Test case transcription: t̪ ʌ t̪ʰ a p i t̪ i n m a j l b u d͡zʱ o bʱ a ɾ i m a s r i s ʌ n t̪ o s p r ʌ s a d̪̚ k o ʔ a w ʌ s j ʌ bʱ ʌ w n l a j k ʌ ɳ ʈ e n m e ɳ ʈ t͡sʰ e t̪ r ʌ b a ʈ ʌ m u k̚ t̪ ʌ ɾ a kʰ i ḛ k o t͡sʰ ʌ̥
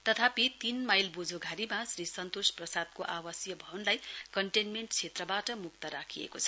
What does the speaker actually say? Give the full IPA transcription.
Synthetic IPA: t̪ ʌ t̪ʰ a p i t̪ i n m a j l b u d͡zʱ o ɡʱ a ɾ i m a s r i s ʌ n t̪ o s p r ʌ s a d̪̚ k o ʔ a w ʌ s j ʌ bʱ ʌ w n l a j k ʌ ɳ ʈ e n m e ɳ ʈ t͡sʰ e t̪ r ʌ b a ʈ ʌ m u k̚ t̪ ʌ ɾ a kʰ i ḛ k o t͡sʰ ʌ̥